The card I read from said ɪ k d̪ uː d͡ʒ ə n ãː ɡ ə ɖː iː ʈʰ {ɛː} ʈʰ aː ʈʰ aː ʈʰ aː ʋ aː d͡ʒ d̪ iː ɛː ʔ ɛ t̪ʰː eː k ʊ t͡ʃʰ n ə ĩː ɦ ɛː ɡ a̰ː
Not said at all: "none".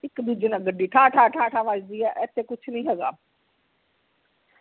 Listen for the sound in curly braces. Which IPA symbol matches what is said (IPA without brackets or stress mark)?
aː